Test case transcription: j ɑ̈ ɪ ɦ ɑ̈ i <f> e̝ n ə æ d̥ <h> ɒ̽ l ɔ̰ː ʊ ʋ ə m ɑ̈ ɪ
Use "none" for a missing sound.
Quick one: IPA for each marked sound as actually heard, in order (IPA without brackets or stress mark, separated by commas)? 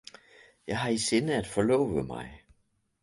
s, f